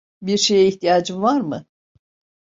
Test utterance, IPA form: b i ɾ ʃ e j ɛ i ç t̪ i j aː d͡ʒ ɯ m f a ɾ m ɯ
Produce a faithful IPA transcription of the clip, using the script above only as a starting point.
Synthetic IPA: b i ɾ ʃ e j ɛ i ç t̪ i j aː d͡ʒ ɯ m v a ɾ m ɯ